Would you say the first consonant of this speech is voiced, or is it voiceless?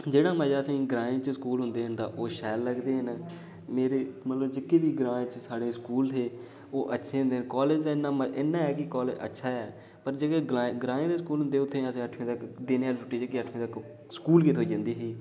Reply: voiced